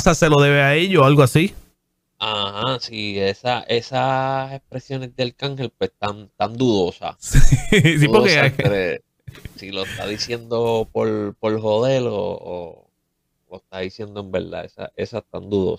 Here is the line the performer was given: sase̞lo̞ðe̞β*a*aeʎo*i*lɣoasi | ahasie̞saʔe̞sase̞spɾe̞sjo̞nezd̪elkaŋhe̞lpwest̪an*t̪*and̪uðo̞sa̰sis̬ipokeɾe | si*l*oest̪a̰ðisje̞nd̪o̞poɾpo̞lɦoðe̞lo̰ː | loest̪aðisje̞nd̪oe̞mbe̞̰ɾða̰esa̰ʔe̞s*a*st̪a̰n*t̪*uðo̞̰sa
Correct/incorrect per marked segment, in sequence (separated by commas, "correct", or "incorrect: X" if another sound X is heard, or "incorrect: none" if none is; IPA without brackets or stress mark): incorrect: e, incorrect: a, correct, correct, correct, incorrect: d̪